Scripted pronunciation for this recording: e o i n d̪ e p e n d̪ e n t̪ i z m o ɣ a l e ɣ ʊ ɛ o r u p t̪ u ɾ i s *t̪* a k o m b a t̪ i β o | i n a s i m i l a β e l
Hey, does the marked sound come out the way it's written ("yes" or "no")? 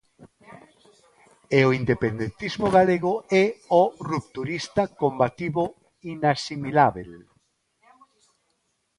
yes